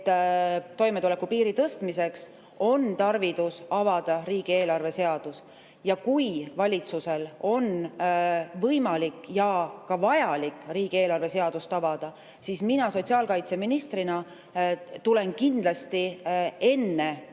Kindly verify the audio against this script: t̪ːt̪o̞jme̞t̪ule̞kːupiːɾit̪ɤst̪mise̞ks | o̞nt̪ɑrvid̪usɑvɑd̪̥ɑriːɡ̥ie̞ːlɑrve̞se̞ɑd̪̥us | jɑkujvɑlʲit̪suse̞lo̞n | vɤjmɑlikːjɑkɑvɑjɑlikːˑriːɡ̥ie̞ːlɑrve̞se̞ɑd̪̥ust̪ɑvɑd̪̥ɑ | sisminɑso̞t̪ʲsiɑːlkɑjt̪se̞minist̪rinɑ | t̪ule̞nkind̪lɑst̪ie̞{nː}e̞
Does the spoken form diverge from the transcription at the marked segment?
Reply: no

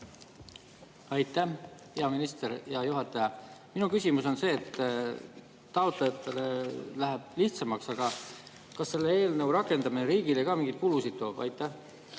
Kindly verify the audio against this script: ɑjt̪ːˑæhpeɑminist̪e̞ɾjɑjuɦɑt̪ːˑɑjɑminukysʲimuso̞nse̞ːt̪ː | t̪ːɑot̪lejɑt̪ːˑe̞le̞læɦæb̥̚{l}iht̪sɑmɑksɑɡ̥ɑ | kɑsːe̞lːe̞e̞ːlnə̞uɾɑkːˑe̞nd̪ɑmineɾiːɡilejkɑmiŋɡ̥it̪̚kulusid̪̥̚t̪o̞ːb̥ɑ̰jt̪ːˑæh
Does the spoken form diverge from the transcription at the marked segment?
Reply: no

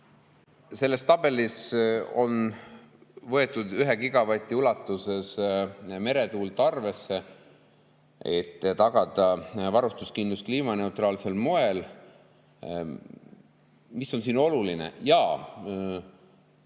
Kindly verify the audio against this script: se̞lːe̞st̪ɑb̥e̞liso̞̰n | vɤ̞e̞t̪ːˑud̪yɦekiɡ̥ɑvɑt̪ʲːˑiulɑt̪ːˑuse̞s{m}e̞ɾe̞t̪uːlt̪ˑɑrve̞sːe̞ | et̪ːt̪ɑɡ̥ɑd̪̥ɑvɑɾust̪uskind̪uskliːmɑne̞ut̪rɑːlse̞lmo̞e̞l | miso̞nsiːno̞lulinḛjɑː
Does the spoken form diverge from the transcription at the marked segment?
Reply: no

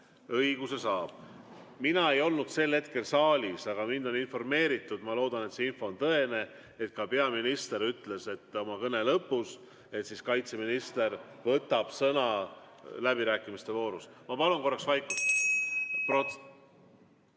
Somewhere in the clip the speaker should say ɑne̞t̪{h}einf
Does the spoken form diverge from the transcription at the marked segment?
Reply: yes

